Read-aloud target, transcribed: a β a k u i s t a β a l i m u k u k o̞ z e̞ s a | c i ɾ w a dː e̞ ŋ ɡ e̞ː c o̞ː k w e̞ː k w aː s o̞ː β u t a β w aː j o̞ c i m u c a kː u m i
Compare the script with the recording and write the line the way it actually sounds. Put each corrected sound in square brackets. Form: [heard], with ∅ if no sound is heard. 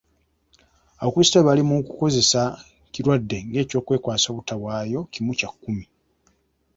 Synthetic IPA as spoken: a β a k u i s t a β a l i m u k u k o̞ z e̞ s a | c i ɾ w a dː e̞ ŋ ɡ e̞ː c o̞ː k w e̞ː k w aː s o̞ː β u t a β w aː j o̞ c i m u c a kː u m i